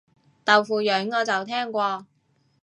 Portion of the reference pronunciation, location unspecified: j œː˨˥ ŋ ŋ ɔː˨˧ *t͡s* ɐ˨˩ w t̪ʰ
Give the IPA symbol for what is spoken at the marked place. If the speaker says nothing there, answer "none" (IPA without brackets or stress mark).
t͡s